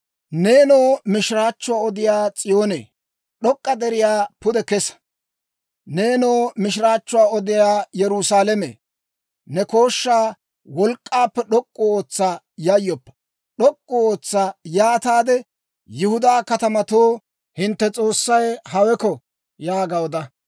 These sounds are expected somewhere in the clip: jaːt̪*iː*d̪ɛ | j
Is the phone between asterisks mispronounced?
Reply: yes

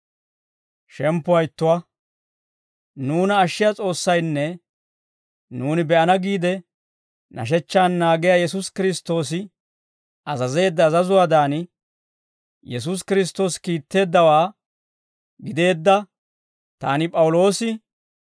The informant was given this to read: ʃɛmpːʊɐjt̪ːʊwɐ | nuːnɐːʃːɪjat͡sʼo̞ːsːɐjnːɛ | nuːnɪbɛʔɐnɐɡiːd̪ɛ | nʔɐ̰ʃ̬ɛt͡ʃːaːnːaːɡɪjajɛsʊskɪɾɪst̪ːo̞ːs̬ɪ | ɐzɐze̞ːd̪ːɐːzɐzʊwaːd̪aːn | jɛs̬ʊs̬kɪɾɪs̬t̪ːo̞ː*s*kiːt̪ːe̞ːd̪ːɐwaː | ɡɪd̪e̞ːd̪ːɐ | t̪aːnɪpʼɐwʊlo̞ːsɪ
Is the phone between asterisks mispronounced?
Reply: no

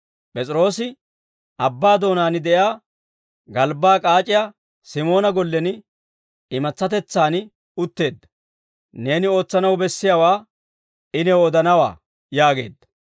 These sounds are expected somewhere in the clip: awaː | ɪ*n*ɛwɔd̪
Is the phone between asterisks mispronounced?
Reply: no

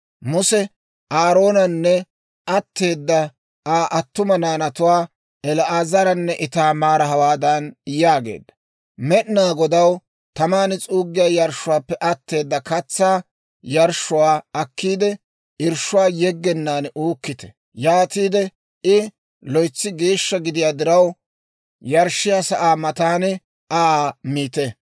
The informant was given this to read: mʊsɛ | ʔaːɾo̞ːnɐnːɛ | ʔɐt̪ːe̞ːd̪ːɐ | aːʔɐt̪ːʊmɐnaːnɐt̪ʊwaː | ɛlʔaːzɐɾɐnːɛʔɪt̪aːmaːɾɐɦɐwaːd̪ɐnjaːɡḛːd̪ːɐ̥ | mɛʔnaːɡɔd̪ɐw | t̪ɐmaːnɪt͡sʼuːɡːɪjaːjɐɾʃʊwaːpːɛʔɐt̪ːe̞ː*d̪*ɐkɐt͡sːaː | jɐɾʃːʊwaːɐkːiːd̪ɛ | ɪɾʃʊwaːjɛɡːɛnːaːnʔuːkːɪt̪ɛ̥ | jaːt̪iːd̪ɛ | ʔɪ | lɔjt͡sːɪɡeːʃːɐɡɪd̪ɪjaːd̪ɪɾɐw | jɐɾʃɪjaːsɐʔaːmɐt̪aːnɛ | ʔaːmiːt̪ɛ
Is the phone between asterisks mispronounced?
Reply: yes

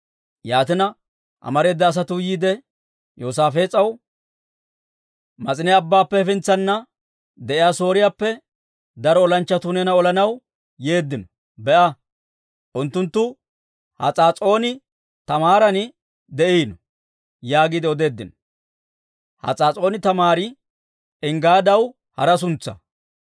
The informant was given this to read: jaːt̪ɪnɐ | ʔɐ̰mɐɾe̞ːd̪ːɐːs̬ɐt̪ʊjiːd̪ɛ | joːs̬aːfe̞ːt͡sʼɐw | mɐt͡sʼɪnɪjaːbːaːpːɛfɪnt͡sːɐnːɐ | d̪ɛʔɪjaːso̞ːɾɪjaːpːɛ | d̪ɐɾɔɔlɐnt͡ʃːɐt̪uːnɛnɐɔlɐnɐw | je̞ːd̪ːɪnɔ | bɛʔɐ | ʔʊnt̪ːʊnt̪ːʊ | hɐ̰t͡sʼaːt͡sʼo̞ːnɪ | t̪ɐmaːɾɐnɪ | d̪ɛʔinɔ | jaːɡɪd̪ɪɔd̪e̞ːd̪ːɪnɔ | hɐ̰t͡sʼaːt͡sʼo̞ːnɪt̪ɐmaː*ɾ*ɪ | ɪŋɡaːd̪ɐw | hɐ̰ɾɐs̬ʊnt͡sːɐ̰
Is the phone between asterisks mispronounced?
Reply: no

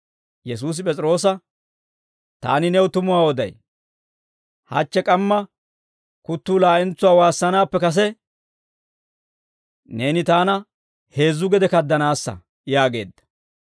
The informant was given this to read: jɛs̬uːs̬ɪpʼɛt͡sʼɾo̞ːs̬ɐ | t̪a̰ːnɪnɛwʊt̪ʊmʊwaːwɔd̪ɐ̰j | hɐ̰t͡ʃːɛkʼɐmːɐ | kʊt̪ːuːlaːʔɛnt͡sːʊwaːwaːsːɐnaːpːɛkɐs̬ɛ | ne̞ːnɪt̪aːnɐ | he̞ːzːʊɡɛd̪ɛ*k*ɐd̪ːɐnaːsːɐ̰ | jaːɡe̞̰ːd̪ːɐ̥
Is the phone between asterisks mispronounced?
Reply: no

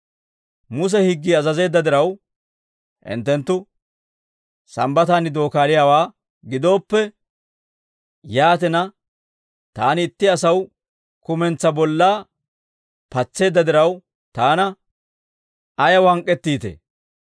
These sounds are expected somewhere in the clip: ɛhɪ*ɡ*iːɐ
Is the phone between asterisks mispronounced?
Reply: yes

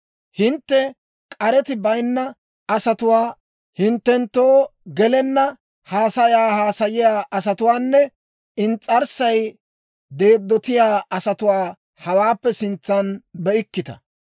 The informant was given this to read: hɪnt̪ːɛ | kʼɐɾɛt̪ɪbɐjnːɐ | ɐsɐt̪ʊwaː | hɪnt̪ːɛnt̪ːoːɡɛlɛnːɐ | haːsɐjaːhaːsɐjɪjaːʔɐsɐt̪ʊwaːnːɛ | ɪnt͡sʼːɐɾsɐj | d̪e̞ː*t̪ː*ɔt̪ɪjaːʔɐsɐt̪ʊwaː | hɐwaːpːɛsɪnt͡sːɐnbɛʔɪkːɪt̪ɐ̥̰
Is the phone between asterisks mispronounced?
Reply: yes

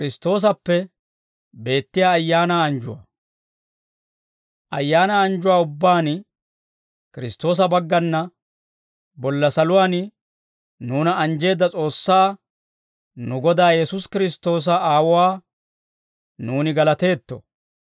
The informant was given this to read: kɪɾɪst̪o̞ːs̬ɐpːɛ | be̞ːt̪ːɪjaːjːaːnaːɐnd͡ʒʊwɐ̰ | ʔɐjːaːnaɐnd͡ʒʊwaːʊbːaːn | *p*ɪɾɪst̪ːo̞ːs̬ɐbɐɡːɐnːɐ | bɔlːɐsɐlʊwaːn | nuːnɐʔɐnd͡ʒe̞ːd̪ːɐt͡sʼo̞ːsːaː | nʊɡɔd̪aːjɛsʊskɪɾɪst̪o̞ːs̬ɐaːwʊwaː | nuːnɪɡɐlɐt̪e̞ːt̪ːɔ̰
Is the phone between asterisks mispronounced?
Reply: yes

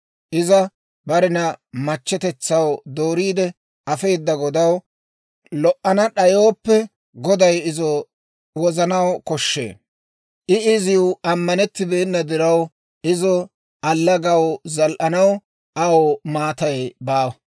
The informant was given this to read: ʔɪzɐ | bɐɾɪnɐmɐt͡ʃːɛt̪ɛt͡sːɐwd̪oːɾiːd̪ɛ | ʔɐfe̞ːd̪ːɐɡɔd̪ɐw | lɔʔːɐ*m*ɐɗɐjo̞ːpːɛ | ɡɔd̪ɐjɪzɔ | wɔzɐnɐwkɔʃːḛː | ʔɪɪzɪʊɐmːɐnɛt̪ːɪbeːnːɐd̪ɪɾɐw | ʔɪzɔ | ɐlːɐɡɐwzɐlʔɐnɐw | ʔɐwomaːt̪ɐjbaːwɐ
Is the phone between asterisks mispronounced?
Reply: yes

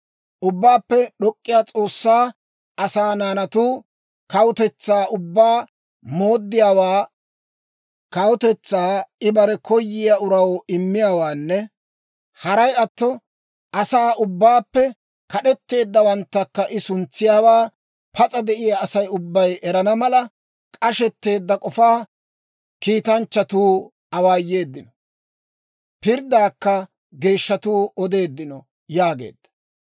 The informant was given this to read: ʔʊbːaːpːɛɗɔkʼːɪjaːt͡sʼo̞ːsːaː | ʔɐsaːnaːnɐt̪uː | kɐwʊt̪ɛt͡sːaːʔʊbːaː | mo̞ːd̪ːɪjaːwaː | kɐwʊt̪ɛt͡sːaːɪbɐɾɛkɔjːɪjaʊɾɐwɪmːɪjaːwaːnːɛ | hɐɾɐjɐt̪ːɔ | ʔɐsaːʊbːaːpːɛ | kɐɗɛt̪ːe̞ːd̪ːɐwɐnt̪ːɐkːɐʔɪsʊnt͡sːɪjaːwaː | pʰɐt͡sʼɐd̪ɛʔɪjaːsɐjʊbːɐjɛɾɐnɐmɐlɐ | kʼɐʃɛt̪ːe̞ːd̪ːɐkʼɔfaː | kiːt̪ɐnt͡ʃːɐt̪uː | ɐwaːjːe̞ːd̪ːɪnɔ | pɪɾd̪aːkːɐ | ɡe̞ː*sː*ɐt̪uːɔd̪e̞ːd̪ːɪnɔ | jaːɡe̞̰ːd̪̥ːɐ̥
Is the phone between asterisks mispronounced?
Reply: yes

